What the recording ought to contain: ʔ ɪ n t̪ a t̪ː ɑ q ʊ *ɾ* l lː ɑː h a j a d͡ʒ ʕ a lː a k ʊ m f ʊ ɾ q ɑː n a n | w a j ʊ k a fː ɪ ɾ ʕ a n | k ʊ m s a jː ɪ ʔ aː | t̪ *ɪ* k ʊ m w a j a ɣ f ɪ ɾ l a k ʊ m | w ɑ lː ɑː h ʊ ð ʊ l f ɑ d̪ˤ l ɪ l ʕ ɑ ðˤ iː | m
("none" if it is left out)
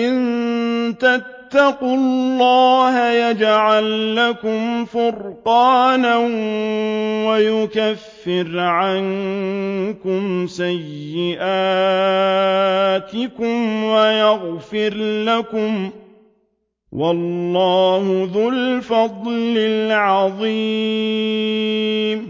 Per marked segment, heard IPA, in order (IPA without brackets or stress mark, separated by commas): l, ɪ